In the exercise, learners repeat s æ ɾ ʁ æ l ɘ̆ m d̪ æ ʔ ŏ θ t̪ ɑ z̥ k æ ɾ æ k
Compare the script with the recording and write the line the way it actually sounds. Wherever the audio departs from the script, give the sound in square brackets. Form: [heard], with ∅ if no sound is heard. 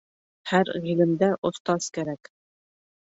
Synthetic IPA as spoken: [h] æ ɾ ʁ [i] l ɘ̆ m d̪ æ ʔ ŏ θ t̪ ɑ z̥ k æ ɾ æ k